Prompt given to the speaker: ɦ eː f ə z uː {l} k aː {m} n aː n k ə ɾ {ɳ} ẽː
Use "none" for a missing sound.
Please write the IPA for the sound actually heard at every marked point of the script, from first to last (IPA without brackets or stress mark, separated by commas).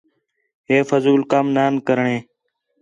l, m, ɳ